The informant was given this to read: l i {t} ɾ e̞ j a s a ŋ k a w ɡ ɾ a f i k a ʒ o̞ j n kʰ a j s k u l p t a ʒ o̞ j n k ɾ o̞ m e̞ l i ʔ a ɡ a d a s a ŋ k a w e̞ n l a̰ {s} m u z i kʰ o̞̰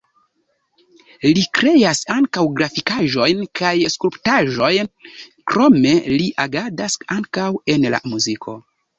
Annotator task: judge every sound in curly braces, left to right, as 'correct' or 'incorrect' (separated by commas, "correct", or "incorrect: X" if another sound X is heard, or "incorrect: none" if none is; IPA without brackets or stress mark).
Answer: incorrect: k, incorrect: none